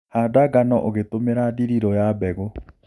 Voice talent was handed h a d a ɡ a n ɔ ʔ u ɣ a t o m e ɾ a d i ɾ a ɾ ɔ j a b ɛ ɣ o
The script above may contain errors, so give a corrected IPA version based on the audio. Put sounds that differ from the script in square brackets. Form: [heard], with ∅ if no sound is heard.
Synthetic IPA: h a d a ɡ a n ɔ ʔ [o] ɣ [e] t o m e ɾ a d i ɾ [i] ɾ ɔ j a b ɛ ɣ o